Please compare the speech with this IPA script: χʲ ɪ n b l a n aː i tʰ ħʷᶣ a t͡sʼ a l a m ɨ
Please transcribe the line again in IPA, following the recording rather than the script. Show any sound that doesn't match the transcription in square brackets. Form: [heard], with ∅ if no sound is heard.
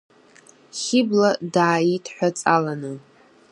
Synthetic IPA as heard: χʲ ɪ [∅] b l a [d] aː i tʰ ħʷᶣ a t͡sʼ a l a [n] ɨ